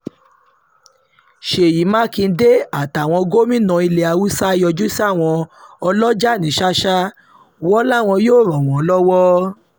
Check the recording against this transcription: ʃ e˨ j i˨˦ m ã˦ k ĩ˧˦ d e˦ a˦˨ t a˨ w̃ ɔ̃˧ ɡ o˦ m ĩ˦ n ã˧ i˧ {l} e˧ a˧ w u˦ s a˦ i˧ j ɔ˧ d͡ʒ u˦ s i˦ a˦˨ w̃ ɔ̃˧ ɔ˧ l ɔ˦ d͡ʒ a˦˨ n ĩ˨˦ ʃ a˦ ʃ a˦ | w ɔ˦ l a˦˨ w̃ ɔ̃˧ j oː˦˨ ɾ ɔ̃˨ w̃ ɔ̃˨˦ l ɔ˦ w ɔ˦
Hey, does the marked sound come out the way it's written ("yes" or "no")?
yes